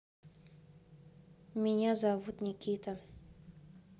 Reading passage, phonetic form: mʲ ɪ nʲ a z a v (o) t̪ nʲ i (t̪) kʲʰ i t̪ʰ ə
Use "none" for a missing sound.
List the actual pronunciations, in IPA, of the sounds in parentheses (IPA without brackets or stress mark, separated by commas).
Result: u, none